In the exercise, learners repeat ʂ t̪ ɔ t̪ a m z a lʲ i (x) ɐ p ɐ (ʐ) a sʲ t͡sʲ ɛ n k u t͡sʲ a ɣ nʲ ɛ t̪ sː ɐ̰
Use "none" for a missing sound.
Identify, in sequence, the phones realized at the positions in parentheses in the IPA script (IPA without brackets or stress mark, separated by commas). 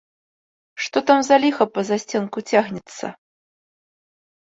x, z